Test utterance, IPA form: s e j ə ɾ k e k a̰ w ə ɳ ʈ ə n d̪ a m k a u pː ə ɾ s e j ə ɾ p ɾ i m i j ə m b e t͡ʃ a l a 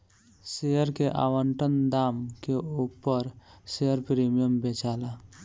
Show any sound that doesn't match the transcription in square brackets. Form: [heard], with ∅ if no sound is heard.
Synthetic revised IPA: s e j ə ɾ k e [ʔ] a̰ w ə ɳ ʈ ə n d̪ a m k [e] u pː ə ɾ s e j ə ɾ p ɾ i m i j ə m b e t͡ʃ a l a